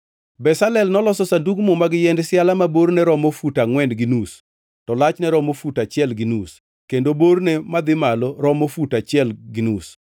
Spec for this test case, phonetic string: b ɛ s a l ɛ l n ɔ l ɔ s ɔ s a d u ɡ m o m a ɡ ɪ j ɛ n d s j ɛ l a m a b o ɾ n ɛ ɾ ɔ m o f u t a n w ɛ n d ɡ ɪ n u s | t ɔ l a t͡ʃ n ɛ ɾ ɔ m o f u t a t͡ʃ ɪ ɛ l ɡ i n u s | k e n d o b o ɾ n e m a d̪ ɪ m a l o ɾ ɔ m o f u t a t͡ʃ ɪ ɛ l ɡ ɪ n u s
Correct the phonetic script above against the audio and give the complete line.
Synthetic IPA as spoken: b ɛ s a l ɛ l n ɔ l ɔ s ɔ s a d u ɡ m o m a ɡ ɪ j ɛ n d s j a l a m a b o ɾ n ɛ ɾ ɔ m o f u t a ŋ w ɛ n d ɡ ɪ n u s | t ɔ l a t͡ʃ n ɛ ɾ ɔ m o f u t a t͡ʃ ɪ ɛ l ɡ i n u s | k e n d o b o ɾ n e m a d̪ ɪ m a l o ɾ ɔ m o f u t a t͡ʃ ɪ ɛ l ɡ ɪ n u s